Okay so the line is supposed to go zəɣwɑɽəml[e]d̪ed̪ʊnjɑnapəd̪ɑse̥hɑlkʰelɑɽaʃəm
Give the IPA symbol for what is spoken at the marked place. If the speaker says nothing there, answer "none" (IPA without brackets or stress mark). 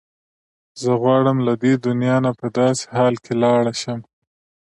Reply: a